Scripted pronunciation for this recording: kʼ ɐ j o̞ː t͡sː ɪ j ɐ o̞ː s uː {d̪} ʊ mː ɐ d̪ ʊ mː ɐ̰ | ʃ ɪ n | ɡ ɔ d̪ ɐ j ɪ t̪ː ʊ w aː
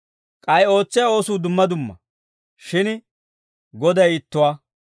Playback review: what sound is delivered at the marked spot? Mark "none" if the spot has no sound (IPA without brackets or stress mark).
d̪